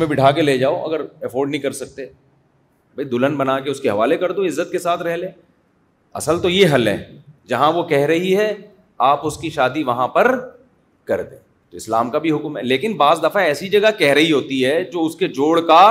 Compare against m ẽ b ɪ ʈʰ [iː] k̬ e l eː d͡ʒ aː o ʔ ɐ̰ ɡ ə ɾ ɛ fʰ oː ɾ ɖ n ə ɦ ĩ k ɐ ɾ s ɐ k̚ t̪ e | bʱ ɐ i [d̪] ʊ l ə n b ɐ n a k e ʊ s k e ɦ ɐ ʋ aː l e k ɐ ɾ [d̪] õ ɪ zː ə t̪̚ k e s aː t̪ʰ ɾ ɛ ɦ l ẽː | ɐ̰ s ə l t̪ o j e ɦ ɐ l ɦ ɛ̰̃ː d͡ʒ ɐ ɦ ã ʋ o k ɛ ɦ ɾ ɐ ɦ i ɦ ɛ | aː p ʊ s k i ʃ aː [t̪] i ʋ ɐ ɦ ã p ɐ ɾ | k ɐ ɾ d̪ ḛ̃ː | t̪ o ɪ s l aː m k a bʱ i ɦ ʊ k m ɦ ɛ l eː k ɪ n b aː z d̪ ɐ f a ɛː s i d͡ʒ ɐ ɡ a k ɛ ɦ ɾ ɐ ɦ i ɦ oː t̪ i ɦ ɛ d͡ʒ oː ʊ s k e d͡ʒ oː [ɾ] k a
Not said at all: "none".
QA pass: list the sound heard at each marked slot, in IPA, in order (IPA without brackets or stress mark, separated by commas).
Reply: aː, d̪, d̪, d̪, ɽ